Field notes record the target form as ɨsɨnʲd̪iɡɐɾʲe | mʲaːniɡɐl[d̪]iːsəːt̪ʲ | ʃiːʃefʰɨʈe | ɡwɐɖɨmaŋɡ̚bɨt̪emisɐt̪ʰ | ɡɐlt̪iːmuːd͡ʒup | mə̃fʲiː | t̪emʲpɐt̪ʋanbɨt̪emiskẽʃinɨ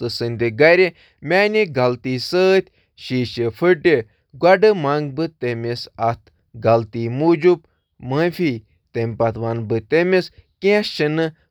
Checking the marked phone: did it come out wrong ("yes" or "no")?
yes